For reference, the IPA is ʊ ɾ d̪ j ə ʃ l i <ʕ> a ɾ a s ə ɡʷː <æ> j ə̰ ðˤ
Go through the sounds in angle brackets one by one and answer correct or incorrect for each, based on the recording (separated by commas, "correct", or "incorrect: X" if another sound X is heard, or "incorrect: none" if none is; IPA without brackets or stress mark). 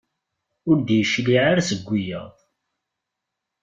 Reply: correct, incorrect: i